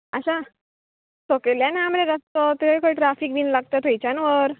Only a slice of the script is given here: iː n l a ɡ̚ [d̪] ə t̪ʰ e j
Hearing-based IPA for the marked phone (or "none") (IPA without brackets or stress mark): t̪